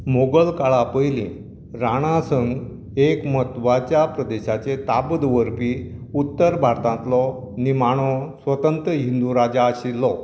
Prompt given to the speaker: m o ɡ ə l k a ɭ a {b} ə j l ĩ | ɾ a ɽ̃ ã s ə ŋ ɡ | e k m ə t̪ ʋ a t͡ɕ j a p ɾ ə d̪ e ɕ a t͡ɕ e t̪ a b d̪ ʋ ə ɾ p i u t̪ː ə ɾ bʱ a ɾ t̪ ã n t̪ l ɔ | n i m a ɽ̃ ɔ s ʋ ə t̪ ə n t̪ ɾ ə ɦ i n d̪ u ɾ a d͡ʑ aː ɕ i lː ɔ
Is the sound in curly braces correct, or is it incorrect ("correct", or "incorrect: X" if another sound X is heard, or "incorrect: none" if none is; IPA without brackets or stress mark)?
incorrect: p